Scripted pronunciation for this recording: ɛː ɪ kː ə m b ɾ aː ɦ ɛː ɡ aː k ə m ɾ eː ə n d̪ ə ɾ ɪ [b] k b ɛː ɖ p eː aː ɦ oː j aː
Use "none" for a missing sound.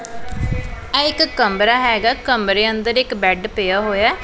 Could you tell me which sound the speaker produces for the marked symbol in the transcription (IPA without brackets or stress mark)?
none